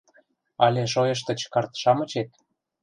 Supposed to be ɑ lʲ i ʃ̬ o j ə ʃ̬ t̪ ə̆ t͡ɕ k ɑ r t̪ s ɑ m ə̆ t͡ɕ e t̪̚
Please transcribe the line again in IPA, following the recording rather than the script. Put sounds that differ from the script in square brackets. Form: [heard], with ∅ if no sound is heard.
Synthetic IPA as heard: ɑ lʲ [e] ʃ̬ o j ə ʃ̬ t̪ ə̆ t͡ɕ k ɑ r t̪ [ʃ] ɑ m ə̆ t͡ɕ e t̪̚